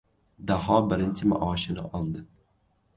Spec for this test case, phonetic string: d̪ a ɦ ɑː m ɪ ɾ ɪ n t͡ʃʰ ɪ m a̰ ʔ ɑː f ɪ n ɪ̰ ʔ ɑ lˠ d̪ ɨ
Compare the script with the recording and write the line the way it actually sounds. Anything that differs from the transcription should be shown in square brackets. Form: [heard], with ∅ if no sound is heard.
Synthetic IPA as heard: d̪ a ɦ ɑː [b] ɪ ɾ ɪ n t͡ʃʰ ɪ m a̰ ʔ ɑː [ʃ] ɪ n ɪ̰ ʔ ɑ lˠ d̪ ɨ